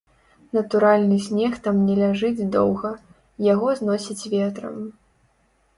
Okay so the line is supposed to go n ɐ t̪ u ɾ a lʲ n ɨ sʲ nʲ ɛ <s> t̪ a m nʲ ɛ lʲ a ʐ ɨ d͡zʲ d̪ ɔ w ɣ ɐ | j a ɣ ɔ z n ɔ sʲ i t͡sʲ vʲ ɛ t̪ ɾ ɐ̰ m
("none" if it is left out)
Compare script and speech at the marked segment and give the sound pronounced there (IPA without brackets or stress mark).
x